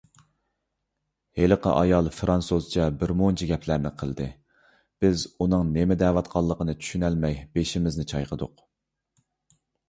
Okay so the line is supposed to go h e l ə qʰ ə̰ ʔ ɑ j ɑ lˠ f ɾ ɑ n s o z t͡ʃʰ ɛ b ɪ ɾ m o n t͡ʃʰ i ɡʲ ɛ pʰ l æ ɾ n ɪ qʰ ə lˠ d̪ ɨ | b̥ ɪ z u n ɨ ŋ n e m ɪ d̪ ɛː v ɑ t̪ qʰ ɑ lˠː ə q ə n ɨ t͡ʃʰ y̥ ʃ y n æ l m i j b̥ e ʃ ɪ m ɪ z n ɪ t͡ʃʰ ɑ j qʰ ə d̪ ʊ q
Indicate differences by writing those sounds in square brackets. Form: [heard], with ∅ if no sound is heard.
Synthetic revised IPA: h e l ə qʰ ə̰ ʔ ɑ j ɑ lˠ f ɾ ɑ n s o z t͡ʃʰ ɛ b ɪ ɾ m o n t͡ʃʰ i ɡʲ ɛ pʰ l æ ɾ n ɪ qʰ ə lˠ d̪ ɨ | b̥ ɪ z u n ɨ ŋ n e m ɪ d̪ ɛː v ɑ t̪ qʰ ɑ lˠː ə q ə n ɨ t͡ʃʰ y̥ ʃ y n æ l m [ɛ] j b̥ e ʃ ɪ m ɪ z n ɪ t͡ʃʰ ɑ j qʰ ə d̪ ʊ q